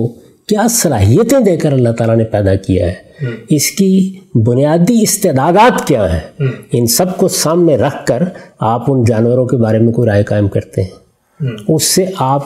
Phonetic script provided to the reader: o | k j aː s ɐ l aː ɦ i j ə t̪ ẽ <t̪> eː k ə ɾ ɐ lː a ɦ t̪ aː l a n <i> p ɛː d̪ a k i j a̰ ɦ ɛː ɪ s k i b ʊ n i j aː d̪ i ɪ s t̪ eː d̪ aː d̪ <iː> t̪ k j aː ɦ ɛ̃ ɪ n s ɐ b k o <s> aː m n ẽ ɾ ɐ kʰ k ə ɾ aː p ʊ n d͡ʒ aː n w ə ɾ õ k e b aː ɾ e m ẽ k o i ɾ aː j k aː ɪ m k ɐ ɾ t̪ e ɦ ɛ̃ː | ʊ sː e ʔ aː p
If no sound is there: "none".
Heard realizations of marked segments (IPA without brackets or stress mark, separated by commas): d̪, e, aː, s